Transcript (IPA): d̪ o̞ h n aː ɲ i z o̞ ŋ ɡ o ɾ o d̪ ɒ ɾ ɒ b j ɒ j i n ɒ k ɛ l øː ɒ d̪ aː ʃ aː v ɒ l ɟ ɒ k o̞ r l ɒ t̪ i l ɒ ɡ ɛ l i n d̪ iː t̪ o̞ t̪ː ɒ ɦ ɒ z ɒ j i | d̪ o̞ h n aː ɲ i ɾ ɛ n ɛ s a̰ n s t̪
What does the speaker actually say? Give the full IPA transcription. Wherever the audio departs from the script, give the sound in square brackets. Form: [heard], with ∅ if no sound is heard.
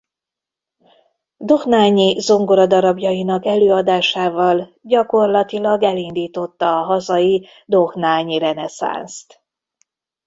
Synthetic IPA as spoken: d̪ o̞ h n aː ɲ i z o̞ ŋ ɡ o ɾ [ɒ] d̪ ɒ ɾ ɒ b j ɒ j i n ɒ k ɛ l øː ɒ d̪ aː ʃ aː v ɒ l ɟ ɒ k o̞ r l ɒ t̪ i l ɒ ɡ ɛ l i n d̪ iː t̪ o̞ t̪ː [ɒː] ɦ ɒ z ɒ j i | d̪ o̞ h n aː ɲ i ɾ ɛ n ɛ s a̰ n s t̪